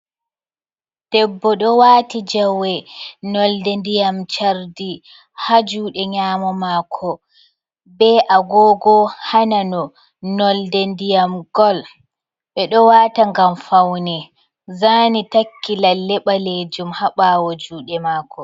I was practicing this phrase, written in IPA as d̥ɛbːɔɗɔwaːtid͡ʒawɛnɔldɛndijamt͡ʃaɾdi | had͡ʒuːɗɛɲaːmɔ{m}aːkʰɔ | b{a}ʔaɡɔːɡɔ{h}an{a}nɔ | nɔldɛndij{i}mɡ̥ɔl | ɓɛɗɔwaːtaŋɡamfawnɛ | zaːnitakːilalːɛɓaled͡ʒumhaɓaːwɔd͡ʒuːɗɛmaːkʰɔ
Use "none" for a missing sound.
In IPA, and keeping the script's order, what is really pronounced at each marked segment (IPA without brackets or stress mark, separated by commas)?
m, ɛ, h, a, a